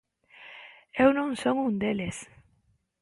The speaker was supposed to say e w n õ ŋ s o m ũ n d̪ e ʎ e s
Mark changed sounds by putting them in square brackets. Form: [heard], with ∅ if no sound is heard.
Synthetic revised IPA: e w n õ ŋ s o [ŋ] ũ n d̪ e [l] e s